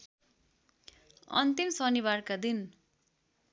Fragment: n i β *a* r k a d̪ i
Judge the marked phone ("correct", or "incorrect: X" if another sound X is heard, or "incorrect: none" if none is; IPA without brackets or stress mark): correct